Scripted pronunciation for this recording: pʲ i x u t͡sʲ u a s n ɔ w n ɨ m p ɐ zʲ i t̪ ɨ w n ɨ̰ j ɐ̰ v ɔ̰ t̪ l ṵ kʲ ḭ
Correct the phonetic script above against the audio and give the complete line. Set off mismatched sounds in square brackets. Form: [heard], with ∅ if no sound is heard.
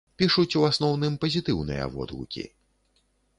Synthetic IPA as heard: pʲ i [ʂ] u t͡sʲ u a s n ɔ w n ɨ m p ɐ zʲ i t̪ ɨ w n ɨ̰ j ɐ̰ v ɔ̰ [d̪] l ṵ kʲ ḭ